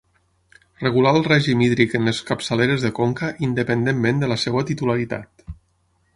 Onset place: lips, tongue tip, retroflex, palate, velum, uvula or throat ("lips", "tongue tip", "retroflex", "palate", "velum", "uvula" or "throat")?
tongue tip